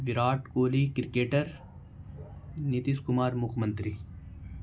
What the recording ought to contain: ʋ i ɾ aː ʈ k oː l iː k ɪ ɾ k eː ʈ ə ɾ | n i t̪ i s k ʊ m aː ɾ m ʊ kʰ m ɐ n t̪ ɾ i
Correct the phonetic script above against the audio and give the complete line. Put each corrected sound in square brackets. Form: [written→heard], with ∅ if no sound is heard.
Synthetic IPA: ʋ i ɾ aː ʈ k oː l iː k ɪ ɾ k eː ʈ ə ɾ | n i t̪ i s k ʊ m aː ɾ m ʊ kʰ m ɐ n t̪ ɾ i